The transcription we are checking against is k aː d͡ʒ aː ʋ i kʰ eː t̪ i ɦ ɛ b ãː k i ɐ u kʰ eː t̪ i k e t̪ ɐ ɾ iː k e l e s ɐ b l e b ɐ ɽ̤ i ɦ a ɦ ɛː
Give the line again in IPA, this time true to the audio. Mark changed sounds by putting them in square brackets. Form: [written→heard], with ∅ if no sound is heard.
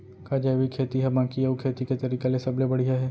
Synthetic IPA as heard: k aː d͡ʒ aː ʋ i kʰ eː t̪ i ɦ ɛ b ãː k i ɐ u kʰ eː t̪ i k e t̪ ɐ ɾ iː k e l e s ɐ b l e b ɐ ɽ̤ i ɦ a ɦ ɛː